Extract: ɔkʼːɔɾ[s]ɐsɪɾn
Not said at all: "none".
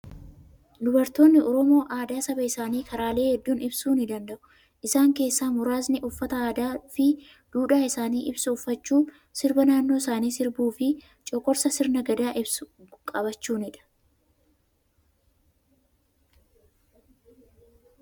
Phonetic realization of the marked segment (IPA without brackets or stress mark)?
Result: s